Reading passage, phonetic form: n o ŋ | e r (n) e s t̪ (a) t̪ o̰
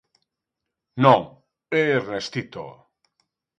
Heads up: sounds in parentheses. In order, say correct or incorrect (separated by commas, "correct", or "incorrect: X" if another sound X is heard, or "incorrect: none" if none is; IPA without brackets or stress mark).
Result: correct, incorrect: i